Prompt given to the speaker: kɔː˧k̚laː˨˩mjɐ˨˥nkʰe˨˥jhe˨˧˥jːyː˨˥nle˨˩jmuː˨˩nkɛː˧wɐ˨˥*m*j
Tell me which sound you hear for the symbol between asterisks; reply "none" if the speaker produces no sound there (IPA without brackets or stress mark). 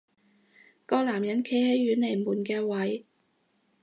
none